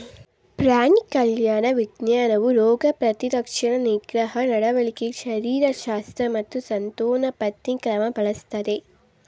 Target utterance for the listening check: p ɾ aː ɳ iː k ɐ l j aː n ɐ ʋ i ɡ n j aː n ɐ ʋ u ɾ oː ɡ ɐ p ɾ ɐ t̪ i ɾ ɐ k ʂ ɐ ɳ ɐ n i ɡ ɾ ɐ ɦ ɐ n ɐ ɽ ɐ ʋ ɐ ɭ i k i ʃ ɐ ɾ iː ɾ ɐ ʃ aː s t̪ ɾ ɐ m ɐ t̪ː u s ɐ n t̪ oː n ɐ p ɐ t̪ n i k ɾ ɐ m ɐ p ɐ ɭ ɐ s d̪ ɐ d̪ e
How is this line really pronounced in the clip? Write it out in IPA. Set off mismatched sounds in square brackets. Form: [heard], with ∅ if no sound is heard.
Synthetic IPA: p ɾ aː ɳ [i] k ɐ l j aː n ɐ ʋ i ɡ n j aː n ɐ ʋ u ɾ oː ɡ ɐ p ɾ ɐ t̪ i ɾ ɐ k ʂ ɐ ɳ ɐ n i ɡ ɾ ɐ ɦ ɐ n ɐ ɽ ɐ ʋ ɐ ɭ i k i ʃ ɐ ɾ iː ɾ ɐ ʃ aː s t̪ ɾ ɐ m ɐ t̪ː u s ɐ n t̪ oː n ɐ p ɐ t̪ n i k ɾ ɐ m ɐ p ɐ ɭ ɐ s [t̪] ɐ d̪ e